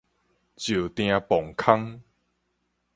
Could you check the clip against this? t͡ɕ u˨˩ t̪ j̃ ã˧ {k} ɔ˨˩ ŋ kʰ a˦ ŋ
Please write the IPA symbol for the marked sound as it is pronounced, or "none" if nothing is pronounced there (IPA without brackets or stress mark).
p